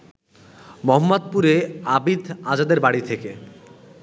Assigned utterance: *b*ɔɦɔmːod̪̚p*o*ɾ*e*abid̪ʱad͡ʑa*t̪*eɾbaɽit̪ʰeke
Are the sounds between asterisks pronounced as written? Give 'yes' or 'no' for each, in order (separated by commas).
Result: no, no, yes, no